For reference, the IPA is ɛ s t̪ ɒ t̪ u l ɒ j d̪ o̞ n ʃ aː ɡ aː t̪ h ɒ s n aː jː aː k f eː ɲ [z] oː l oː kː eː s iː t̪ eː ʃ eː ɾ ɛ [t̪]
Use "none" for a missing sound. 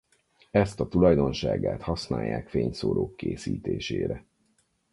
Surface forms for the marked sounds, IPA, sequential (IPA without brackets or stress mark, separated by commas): s, none